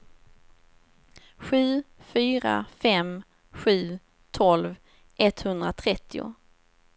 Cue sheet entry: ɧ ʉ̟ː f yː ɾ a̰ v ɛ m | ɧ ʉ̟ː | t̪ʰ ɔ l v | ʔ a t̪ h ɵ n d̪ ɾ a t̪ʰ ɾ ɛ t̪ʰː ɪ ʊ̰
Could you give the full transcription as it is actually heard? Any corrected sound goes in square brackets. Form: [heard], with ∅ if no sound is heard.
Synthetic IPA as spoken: ɧ ʉ̟ː f yː ɾ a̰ [f] ɛ m | ɧ ʉ̟ː | t̪ʰ ɔ l v | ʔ [ɛ] t̪ h ɵ n d̪ ɾ a t̪ʰ ɾ ɛ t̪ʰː ɪ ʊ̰